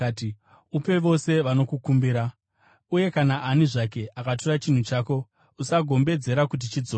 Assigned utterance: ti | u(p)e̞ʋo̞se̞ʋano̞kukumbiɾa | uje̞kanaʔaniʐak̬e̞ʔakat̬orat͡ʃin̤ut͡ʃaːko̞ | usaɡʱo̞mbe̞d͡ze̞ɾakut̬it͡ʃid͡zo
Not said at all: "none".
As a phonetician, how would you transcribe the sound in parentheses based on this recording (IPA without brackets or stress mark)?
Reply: p